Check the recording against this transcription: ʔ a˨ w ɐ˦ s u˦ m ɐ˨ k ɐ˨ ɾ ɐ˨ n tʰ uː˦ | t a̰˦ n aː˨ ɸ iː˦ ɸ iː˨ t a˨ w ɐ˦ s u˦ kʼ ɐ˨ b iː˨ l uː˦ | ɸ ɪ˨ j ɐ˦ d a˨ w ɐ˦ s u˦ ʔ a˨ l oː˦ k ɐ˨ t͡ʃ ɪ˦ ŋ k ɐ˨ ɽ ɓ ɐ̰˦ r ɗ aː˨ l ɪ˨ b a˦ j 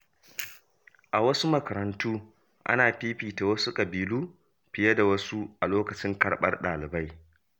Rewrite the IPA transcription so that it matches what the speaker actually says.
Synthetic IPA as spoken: ʔ a˨ w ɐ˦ s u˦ m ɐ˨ k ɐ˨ ɾ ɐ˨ n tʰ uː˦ | ʔ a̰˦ n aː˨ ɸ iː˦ ɸ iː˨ t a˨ w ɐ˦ s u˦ kʼ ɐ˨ b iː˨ l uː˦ | ɸ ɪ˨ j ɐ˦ d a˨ w ɐ˦ s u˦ ʔ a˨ l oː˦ k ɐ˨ t͡ʃ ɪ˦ ŋ k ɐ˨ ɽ ɓ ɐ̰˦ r ɗ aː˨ l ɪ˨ b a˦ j